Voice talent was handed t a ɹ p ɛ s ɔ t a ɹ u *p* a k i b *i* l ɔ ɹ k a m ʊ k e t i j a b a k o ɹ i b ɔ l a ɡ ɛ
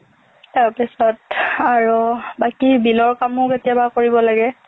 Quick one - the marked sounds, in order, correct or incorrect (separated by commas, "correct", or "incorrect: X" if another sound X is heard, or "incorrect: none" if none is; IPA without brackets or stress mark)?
incorrect: b, correct